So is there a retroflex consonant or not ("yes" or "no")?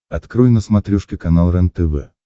yes